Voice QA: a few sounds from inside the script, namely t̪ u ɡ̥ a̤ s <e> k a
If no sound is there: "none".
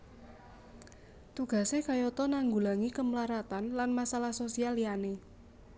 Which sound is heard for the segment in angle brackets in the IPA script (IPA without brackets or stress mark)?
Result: e